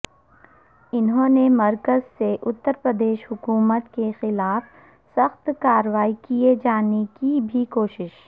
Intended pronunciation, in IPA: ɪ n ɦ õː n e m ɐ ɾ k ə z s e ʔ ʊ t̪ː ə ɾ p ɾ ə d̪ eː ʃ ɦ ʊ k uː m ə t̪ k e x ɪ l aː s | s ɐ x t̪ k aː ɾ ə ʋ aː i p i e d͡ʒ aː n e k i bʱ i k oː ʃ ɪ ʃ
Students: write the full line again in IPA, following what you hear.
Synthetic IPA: ɪ n ɦ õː n e m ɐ ɾ k ə z s e ʔ ʊ t̪ː ə ɾ p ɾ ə d̪ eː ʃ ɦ ʊ k uː m ə t̪ k e x ɪ l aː f | s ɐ x t̪ k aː ɾ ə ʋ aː i k i e d͡ʒ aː n e k i bʱ i k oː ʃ ɪ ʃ